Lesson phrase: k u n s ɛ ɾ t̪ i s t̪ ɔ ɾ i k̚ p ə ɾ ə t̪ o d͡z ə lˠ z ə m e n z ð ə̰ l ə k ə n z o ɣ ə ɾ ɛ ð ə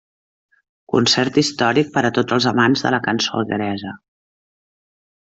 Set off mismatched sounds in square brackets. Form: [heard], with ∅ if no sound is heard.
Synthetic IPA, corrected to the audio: k u n s ɛ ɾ t̪ i s t̪ ɔ ɾ i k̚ p ə ɾ ə t̪ o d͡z ə lˠ z ə m [a] n z ð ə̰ l ə k ə n [s] o ɣ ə ɾ ɛ [z] ə